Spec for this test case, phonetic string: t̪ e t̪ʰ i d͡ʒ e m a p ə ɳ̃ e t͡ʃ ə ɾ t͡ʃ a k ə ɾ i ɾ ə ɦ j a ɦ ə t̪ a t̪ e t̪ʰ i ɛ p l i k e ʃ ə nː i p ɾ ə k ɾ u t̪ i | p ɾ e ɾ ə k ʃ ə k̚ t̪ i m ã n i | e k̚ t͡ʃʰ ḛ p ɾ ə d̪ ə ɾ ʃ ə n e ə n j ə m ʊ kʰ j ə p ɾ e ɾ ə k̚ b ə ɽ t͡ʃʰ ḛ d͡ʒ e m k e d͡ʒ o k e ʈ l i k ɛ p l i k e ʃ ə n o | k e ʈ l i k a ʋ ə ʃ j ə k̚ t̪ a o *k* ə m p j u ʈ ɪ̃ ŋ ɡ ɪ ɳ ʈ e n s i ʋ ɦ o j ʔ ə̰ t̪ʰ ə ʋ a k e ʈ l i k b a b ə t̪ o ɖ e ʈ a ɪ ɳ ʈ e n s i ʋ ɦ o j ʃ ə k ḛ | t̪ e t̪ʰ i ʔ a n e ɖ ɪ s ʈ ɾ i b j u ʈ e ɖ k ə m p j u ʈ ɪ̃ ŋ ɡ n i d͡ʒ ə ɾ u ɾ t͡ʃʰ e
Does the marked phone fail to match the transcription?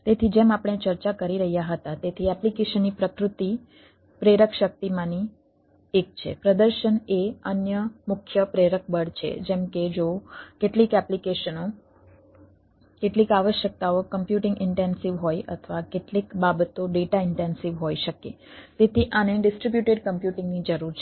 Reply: no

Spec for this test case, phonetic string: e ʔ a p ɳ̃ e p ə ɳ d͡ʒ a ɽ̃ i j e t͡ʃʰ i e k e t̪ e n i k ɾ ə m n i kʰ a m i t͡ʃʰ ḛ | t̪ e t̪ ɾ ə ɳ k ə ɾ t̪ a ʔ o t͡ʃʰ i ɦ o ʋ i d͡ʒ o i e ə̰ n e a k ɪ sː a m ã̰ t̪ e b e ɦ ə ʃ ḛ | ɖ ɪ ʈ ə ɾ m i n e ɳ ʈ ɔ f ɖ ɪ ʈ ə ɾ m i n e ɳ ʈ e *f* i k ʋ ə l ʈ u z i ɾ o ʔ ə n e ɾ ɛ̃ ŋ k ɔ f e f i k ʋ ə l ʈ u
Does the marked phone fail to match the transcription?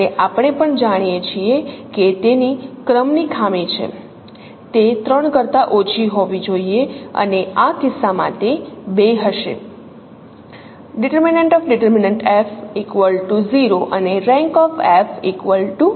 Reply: no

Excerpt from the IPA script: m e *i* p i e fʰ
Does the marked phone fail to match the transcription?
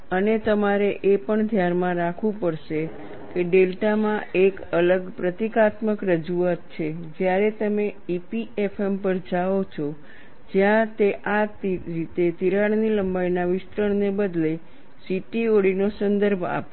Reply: no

